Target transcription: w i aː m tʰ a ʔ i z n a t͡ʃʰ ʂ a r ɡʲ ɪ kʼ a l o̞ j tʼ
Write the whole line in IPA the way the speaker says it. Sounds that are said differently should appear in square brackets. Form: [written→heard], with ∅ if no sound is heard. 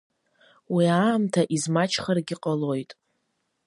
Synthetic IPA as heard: w i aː m tʰ a ʔ i z [n→m] a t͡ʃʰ [ʂ→χ] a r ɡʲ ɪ [kʼ→qʼ] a l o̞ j tʼ